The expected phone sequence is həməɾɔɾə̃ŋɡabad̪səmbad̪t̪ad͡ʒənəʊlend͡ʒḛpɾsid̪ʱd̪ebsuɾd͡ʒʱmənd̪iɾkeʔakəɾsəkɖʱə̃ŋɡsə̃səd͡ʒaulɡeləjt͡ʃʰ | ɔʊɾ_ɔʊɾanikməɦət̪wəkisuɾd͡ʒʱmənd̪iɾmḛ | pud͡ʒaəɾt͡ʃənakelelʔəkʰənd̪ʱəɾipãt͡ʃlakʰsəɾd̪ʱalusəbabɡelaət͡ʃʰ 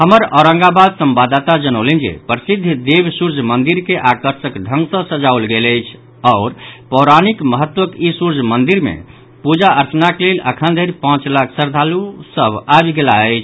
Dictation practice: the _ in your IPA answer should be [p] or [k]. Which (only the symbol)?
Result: p